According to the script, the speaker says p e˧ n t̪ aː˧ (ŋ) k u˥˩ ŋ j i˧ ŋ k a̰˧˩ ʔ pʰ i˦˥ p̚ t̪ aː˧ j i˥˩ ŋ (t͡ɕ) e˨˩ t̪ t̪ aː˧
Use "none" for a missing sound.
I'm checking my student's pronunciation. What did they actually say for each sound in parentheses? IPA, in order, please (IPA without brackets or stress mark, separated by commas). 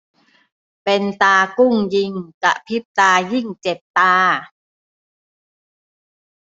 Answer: none, t͡ɕ